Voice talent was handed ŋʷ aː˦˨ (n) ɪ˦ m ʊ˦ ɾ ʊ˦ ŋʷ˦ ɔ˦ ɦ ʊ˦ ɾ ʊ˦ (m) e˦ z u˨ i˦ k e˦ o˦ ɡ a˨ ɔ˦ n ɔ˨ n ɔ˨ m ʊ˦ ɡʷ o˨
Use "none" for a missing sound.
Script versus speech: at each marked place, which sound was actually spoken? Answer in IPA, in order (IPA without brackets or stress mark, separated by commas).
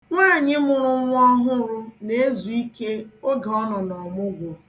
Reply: ɲ, n